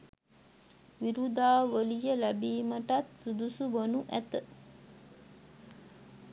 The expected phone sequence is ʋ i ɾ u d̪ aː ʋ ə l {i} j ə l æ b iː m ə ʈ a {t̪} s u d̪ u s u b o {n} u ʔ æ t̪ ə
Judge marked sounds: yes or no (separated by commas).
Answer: yes, yes, yes